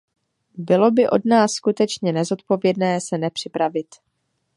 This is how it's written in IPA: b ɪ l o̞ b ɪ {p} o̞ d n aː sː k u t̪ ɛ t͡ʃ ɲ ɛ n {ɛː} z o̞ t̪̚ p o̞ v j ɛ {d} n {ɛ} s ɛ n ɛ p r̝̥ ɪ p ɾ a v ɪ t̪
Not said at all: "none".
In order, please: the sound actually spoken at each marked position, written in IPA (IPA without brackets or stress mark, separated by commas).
ʔ, ɛ, d, ɛː